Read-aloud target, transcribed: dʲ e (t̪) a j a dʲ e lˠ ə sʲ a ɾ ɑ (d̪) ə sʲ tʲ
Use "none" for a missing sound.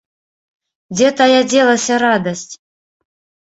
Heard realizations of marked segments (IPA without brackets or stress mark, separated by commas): t̪, d̪